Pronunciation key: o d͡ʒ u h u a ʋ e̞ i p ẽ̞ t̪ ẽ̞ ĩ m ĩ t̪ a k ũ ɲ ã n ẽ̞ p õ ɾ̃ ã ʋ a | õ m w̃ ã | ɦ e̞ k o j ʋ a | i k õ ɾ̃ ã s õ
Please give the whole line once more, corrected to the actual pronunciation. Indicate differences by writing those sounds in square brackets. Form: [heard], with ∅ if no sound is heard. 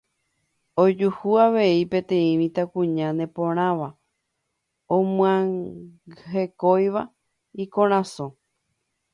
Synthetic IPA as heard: o d͡ʒ u h u a ʋ e̞ i p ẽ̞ t̪ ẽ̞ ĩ m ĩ t̪ a k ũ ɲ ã n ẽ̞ p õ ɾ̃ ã ʋ a | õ m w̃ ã | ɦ e̞ k o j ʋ a | i k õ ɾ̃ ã s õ